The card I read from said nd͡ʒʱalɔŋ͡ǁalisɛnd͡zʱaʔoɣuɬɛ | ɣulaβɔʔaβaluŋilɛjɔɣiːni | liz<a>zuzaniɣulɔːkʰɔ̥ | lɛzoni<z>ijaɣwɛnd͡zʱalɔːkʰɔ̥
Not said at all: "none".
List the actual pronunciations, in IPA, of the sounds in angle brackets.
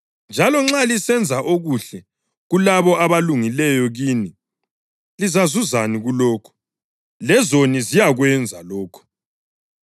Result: a, z

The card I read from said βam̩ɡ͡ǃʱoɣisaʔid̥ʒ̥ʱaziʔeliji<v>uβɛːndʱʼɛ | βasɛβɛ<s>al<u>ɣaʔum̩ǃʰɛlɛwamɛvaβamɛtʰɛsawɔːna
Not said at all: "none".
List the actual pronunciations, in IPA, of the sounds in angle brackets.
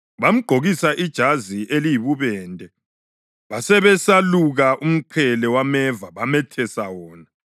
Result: β, s, u

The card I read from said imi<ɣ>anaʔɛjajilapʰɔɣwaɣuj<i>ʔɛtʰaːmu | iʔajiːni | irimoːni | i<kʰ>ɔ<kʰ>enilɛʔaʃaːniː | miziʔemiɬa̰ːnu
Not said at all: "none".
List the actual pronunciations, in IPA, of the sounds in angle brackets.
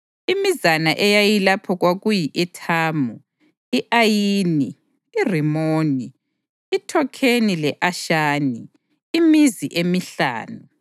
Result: z, i, tʰ, kʰ

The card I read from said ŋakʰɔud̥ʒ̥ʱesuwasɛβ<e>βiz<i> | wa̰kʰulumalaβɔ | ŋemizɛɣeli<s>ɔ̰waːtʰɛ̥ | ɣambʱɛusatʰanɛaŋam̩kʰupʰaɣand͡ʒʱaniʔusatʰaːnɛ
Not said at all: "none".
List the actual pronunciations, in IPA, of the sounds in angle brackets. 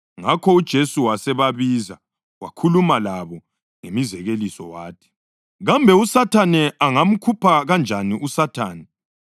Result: a, a, s

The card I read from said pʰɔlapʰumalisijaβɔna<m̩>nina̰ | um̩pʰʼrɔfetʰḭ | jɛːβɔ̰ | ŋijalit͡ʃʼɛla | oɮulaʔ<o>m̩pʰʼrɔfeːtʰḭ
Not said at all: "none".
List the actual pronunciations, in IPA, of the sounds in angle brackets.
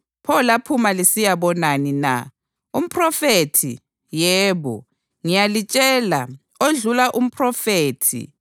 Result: none, u

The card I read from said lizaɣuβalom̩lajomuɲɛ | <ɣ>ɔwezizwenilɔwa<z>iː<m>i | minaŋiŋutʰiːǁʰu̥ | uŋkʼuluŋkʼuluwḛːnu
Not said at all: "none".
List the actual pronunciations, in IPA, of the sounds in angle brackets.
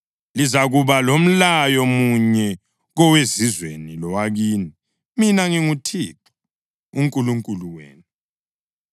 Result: ɣ, ɣ, n

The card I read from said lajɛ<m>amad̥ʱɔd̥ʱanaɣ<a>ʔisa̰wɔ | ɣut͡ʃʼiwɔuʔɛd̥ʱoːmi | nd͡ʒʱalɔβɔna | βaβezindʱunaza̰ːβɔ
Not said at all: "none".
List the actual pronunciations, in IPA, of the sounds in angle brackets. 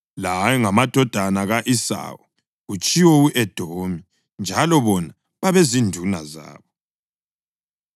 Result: ŋ, a

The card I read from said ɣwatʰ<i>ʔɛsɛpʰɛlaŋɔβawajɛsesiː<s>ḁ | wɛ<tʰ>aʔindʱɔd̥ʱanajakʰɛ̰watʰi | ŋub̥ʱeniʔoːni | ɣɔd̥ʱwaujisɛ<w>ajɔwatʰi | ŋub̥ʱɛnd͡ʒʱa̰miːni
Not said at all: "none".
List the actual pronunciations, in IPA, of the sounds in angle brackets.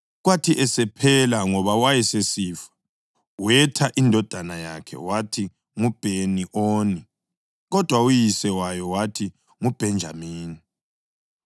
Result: i, f, tʰ, w

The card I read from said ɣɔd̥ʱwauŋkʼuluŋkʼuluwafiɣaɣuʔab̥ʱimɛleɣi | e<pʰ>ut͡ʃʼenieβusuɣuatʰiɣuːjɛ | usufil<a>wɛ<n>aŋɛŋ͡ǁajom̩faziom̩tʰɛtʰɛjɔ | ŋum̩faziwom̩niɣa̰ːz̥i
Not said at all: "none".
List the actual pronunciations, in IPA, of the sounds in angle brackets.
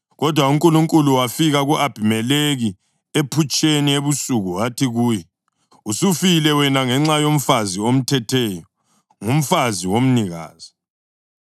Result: pʰ, ɛ, n

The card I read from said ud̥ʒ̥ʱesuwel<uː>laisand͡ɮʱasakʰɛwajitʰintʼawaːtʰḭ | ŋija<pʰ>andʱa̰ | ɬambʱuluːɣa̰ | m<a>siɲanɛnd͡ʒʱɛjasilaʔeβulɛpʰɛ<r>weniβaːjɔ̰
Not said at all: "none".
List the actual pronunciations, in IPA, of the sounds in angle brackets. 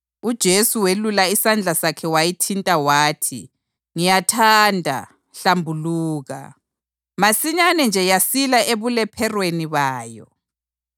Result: u, tʰ, a, r

